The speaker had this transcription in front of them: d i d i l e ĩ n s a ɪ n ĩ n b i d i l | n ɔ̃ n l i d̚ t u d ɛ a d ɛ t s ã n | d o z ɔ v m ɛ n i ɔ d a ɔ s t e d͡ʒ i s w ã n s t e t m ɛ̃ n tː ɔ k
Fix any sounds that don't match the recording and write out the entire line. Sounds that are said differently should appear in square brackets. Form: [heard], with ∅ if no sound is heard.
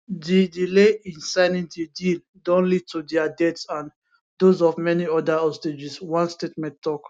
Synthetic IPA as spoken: d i d i l e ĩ n s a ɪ n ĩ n [d] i d i l | [d] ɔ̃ n l i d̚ t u d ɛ a d ɛ t s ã n | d o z ɔ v m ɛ n i ɔ d a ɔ s t e d͡ʒ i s w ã n s t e t m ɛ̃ n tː ɔ k